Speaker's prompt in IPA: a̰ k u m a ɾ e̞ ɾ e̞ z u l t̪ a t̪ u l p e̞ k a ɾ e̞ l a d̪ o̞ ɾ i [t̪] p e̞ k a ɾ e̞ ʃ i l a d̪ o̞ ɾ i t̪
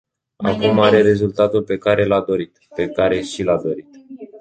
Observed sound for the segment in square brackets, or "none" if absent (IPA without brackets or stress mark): t̪